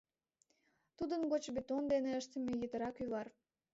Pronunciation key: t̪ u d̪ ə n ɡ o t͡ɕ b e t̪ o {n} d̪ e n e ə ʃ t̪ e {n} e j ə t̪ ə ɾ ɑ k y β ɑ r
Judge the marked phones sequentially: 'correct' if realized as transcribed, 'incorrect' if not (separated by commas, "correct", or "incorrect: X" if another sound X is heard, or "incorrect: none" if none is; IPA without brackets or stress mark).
correct, incorrect: m